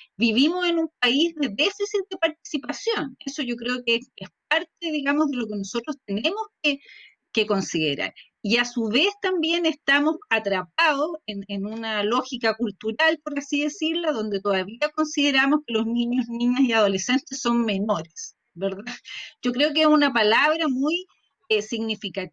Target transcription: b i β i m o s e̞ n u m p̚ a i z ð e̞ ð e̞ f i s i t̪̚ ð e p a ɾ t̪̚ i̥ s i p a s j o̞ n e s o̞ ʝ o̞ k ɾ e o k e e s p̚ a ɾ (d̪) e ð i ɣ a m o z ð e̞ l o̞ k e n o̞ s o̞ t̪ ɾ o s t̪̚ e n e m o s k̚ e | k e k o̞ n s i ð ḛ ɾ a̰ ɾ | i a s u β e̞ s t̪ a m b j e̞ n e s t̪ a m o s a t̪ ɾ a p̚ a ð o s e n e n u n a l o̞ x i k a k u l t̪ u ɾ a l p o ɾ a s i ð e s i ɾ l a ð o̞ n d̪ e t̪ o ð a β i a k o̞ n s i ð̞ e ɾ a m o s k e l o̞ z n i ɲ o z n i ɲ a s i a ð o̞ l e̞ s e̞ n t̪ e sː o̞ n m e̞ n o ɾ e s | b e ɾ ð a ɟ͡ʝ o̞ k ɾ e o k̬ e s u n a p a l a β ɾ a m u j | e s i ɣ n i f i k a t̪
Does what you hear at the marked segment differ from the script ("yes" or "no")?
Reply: yes